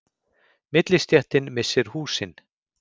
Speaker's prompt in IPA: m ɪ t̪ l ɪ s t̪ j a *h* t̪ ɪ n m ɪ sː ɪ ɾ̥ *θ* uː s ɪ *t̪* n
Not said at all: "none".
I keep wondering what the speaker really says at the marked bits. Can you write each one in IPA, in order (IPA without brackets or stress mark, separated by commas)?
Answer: h, h, none